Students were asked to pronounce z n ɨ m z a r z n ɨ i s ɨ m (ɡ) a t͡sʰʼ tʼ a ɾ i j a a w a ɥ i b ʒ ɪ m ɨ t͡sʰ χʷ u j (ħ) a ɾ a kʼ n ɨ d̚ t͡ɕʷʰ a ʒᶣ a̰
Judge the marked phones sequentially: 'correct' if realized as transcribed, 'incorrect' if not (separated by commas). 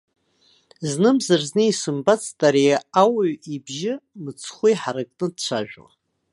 incorrect, correct